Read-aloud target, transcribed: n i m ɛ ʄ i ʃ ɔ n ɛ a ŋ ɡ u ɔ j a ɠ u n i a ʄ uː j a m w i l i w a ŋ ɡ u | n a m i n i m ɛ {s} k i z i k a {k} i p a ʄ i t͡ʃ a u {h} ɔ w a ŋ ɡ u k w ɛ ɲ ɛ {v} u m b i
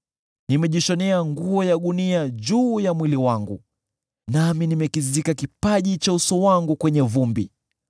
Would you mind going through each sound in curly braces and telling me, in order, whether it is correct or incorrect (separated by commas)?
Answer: incorrect, correct, incorrect, correct